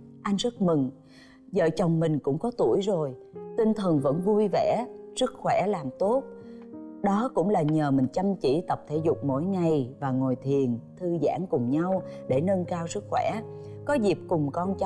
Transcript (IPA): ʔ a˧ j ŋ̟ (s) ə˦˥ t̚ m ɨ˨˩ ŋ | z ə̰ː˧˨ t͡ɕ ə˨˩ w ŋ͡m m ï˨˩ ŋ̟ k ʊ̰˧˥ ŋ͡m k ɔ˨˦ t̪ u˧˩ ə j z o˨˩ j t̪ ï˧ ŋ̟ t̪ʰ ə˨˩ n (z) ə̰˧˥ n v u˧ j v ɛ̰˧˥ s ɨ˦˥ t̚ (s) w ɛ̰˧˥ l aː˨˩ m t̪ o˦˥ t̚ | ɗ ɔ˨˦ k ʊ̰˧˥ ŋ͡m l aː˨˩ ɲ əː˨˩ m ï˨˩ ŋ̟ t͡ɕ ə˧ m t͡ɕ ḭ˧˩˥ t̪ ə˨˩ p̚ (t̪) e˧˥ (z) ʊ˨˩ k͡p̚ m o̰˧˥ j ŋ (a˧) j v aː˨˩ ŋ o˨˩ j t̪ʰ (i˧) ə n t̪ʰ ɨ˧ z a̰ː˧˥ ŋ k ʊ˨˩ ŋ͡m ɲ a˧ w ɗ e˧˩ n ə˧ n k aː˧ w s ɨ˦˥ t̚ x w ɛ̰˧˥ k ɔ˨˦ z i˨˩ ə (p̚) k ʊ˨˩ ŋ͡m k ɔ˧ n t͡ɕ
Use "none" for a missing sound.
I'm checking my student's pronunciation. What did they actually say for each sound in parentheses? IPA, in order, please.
z, v, x, t̪ʰ, z, a˨˩, i˨˩, p̚

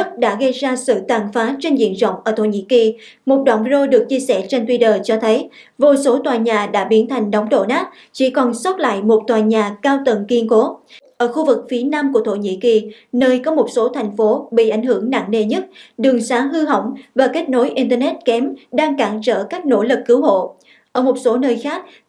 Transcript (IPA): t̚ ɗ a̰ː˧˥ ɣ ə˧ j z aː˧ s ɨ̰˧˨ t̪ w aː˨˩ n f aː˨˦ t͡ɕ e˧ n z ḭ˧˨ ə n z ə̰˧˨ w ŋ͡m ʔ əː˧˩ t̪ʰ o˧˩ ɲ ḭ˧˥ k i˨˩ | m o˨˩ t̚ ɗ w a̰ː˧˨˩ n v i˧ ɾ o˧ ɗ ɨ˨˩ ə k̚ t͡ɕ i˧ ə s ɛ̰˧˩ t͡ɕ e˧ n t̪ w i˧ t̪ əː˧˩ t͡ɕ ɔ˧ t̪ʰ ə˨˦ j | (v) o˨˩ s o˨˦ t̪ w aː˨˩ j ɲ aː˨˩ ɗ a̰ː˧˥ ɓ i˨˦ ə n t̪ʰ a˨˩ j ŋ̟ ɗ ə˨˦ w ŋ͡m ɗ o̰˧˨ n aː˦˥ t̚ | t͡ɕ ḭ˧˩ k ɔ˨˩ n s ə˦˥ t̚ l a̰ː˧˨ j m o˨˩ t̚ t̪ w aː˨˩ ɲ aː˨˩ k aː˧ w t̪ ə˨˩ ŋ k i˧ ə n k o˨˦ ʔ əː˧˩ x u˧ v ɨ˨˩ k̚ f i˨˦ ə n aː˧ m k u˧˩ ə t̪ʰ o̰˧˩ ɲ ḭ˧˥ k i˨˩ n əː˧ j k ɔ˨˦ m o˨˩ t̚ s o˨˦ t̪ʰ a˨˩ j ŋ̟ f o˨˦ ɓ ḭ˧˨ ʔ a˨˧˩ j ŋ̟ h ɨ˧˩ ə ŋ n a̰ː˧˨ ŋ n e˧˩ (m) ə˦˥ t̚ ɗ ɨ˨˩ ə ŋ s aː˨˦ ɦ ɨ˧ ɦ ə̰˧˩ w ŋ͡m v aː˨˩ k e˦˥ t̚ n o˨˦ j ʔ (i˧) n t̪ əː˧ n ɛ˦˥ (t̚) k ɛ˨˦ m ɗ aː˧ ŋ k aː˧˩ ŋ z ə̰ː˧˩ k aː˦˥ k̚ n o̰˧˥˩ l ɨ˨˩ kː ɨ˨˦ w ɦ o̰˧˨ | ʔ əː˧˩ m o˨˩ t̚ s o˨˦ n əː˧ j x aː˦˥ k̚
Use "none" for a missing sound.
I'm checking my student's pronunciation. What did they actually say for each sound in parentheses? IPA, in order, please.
v, ɲ, i˧, t̚

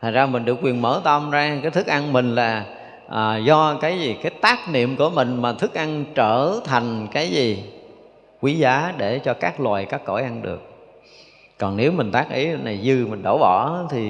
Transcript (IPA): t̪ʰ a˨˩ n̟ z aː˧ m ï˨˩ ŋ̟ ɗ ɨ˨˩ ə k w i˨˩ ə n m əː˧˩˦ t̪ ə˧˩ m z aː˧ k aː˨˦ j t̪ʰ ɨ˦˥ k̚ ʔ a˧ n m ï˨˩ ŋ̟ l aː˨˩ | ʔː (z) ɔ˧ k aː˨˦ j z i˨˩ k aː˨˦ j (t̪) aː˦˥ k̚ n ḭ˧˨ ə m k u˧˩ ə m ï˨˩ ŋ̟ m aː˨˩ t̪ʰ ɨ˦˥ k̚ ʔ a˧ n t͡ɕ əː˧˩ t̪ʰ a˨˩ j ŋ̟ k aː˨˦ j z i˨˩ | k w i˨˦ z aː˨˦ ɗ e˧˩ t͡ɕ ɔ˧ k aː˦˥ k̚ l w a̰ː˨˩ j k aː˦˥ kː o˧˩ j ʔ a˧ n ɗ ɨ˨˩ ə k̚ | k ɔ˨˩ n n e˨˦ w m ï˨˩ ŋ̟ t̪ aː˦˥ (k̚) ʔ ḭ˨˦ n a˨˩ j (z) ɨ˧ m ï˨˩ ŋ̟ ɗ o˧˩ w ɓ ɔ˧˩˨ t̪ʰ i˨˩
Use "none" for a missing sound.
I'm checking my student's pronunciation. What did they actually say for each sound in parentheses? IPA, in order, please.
z, t̪, k̚, z

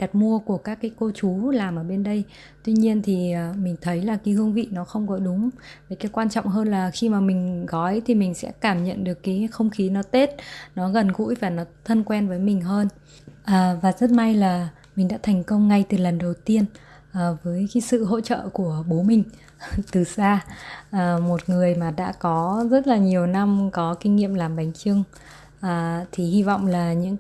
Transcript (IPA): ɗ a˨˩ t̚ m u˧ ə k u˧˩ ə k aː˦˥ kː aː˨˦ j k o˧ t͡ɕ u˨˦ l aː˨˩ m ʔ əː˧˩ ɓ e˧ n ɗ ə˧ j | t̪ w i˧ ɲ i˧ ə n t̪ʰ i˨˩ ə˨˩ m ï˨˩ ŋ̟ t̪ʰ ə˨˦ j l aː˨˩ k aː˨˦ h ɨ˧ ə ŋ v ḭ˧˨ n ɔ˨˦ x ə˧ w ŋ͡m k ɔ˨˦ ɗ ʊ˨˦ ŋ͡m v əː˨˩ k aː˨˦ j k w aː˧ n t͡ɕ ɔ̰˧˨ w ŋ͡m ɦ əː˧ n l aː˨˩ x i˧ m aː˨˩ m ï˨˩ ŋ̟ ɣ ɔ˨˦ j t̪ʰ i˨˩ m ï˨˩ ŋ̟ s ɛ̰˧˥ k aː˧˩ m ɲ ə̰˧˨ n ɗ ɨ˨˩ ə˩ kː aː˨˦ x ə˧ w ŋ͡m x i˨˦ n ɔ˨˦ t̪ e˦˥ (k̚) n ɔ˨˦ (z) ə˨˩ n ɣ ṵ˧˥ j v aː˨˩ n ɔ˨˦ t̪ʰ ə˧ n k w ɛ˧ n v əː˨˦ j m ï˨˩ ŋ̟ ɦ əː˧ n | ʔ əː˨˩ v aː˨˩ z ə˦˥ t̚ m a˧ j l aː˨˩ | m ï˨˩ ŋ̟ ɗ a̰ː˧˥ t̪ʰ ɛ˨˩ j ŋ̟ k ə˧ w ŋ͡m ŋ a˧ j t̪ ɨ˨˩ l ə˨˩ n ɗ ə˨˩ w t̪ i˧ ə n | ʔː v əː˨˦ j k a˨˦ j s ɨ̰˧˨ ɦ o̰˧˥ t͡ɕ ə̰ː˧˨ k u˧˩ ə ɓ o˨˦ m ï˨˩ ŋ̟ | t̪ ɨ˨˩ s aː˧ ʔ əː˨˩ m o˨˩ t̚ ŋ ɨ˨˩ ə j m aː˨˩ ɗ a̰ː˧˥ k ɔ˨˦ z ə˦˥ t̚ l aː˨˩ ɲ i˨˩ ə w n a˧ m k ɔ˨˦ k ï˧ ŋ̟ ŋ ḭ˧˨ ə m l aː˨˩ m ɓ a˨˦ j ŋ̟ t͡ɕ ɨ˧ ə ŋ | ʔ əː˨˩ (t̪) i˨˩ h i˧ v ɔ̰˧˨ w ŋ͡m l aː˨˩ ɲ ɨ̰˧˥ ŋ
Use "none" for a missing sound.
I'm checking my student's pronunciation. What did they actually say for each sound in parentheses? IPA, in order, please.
t̚, ɣ, t̪ʰ

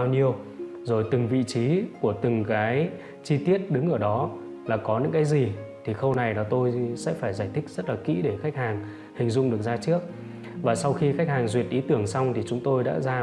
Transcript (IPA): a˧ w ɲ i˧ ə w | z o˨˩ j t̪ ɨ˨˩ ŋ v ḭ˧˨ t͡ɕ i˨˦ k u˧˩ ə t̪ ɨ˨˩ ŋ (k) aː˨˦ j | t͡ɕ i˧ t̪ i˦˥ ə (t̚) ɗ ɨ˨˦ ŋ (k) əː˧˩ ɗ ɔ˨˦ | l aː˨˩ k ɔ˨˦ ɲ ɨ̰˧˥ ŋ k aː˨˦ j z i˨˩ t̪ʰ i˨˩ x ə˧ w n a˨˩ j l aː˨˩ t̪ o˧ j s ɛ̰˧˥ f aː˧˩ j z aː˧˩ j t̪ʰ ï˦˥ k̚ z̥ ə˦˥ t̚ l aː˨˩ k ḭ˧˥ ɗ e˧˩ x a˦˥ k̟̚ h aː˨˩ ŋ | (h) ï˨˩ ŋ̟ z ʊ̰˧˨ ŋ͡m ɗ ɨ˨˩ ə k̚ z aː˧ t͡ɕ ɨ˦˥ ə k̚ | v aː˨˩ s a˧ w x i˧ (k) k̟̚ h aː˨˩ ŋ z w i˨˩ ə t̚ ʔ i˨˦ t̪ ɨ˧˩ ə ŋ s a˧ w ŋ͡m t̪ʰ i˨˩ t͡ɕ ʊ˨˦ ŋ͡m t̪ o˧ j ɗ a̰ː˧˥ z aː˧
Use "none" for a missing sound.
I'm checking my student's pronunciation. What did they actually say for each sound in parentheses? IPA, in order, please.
k, t̚, ʔ, h, x

